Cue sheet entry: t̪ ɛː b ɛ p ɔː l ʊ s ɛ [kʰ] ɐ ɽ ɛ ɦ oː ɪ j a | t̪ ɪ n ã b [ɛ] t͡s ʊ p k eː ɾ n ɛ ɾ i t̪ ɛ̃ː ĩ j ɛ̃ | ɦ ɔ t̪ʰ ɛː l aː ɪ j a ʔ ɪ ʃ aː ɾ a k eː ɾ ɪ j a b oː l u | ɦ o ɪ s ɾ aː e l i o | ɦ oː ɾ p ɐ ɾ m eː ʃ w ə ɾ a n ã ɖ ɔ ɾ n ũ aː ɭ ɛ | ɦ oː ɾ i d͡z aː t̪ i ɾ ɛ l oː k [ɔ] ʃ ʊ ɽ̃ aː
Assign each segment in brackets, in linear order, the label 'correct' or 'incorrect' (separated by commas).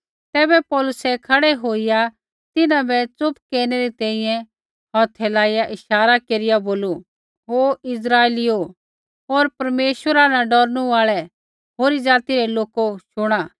correct, correct, incorrect